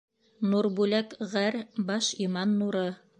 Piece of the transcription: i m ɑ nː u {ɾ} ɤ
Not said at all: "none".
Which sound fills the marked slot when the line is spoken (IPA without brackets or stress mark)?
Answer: ɾ